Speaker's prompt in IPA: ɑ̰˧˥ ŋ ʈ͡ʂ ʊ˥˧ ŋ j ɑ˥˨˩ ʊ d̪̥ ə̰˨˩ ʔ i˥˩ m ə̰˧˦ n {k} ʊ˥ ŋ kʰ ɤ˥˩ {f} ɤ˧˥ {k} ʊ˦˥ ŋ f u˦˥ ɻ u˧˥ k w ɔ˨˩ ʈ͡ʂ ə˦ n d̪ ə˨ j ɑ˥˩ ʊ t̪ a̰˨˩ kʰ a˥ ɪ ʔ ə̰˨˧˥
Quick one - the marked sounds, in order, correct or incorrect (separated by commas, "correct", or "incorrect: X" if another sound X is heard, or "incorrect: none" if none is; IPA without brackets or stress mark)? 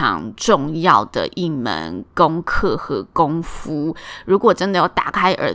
correct, incorrect: x, correct